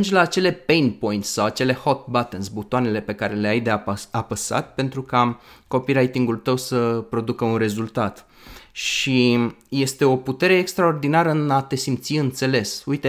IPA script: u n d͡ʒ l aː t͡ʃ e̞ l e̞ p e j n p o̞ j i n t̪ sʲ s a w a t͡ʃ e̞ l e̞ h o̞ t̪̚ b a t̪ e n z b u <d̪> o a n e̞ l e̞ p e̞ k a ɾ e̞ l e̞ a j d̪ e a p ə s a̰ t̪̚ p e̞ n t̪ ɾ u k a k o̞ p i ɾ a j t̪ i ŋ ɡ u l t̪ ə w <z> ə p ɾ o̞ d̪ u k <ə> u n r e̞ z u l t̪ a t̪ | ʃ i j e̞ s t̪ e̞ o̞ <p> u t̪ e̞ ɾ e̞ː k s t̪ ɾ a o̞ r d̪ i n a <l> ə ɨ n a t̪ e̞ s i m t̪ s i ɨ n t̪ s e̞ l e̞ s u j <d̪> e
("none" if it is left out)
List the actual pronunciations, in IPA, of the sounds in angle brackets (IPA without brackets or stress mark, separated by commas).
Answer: t̪, s, ə, p, ɾ, t̪